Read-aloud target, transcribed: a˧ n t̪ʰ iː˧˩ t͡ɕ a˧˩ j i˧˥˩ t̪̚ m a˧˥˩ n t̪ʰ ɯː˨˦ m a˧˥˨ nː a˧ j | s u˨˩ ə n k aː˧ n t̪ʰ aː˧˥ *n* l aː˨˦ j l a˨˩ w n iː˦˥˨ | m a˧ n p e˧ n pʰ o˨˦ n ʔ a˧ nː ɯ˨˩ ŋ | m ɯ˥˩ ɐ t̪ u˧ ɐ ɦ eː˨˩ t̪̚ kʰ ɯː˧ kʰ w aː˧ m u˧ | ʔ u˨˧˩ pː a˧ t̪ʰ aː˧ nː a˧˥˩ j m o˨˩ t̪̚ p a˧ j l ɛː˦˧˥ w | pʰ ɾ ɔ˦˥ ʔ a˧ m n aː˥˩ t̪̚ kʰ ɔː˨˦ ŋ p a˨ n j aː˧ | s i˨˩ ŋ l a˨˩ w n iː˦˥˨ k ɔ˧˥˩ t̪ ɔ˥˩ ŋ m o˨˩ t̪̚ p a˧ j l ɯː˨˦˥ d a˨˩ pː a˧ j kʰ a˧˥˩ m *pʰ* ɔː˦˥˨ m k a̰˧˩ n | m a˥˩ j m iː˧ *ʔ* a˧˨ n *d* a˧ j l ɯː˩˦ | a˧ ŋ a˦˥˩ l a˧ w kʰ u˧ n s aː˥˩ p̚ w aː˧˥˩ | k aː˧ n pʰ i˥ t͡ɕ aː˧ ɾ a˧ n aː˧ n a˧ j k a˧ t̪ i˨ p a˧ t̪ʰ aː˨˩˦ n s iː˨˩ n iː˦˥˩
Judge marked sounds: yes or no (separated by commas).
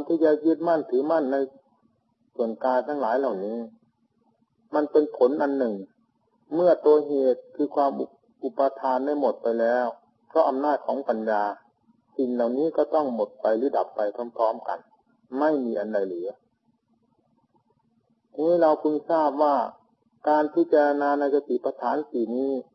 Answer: no, yes, yes, yes